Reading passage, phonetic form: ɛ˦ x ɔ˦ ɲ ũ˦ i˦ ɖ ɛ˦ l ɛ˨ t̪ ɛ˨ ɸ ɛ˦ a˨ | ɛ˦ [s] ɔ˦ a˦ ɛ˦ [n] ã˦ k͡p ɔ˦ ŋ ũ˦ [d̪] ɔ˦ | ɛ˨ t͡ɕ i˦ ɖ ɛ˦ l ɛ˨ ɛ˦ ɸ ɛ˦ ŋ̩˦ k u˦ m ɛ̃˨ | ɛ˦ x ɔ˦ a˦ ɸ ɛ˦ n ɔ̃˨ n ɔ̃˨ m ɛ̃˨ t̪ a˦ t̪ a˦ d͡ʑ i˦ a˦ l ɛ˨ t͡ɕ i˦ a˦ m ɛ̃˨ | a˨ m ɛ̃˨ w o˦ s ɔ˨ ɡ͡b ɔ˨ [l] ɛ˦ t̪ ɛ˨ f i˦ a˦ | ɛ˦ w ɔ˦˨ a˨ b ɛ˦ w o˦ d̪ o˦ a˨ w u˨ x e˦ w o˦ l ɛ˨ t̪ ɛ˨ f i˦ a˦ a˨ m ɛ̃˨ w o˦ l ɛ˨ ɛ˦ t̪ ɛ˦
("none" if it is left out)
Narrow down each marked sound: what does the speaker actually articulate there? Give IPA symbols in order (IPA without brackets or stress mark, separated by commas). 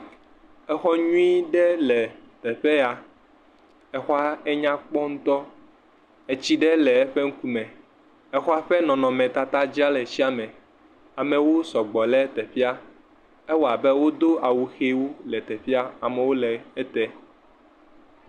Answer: x, ɲ, t̪, l